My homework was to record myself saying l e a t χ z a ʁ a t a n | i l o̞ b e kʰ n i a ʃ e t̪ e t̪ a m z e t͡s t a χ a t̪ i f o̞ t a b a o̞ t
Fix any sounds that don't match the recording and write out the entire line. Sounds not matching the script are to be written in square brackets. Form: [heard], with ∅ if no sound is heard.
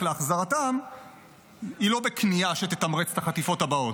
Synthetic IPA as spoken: l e a [∅] χ z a ʁ a t a [m] | i l o̞ b e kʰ n i a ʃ e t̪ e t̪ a m [ʁ] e t͡s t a χ a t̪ i f o̞ t a b a o̞ t

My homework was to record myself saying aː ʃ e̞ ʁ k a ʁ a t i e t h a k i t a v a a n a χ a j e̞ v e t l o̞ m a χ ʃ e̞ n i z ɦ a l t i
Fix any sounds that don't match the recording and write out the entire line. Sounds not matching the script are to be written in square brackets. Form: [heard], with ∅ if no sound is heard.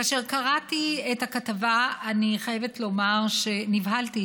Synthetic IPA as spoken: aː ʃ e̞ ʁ k a ʁ a t i e t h a k [a] t a v a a n [i] χ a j e̞ v e t l o̞ m a [ʁ] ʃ e̞ n i [v] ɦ a l t i

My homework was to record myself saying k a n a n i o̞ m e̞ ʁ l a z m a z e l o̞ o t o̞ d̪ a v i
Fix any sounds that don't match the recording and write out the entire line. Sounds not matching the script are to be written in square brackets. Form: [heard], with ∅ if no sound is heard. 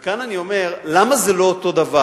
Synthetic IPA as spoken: k a n a n i o̞ m e̞ ʁ l a [∅] m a z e l o̞ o t o̞ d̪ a v [a]

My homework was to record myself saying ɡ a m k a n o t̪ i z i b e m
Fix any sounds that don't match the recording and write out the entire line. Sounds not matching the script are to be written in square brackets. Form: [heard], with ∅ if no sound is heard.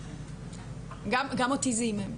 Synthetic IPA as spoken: ɡ a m [ɡ] a [m] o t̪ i z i [m] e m

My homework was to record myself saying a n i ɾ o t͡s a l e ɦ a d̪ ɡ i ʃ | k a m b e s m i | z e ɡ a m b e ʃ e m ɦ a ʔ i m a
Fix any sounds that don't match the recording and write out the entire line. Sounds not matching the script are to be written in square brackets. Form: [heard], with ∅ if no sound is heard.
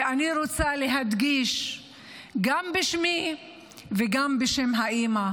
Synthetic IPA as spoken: a n i ɾ o t͡s a l e ɦ a d̪ ɡ i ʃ | [ɡ] a m b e [ʃ] m i | [v] e ɡ a m b e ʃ e m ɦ a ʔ i m a

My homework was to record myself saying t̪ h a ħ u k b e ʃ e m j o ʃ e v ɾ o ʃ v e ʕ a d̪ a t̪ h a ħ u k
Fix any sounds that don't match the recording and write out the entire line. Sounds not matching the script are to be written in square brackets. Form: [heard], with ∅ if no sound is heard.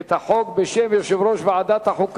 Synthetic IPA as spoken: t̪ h a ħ [o] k b e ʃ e m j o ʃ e v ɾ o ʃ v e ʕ a d̪ a t̪ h a ħ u k

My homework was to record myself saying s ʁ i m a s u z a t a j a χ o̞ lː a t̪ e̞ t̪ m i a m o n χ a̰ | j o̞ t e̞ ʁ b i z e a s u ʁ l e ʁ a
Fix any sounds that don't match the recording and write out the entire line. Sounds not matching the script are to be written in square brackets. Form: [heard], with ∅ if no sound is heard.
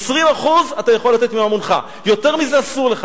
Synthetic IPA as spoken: s ʁ i m a [χ] u z a t a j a χ o̞ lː a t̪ e̞ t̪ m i a m o n χ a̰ | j o̞ t e̞ ʁ [m] i z e a s u ʁ l e [χ] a

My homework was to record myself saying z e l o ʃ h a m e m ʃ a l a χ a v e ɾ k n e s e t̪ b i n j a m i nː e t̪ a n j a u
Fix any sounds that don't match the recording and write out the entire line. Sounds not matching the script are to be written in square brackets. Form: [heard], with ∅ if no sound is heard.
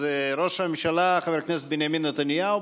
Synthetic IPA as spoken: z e [ɾ] o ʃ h a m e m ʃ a l a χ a v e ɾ k n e s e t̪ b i n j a m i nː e t̪ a n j a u

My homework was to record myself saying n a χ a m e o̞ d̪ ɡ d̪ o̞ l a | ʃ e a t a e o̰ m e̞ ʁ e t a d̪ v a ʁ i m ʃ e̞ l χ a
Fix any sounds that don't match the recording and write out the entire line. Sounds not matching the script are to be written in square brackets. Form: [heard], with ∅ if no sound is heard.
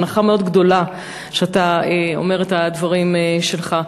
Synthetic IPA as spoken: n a χ a m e o̞ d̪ ɡ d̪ o̞ l a | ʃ e a t a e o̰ m e̞ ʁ e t a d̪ v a ʁ i m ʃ e̞ l χ a

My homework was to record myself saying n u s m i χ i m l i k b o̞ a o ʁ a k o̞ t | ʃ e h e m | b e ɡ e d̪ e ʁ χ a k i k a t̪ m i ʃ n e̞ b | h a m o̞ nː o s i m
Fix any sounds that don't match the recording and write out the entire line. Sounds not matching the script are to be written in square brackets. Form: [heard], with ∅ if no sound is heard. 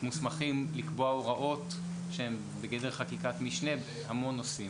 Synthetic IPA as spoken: [m] u s m [a] χ i m l i k b o̞ a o ʁ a [ʔ] o̞ t | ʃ e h e m | b e ɡ e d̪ e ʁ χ a k i k a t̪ m i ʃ n e̞ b | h a m o̞ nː o s i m

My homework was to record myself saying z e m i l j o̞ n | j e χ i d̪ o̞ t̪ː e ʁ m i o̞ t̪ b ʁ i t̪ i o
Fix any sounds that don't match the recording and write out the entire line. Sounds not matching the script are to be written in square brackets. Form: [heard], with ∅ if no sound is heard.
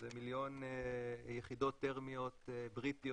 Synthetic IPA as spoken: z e m i l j o̞ n | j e χ i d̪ o̞ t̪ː e ʁ m i o̞ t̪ b ʁ i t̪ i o

